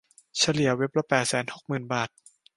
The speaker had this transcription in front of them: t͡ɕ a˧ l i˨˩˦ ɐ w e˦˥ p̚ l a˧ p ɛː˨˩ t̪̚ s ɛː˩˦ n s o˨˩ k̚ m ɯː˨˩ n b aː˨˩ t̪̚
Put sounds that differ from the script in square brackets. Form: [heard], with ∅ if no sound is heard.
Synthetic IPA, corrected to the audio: [t͡ɕʰ] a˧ l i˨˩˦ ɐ w e˦˥ p̚ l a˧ p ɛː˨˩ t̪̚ s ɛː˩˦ n [h] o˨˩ k̚ m ɯː˨˩ n b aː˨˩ t̪̚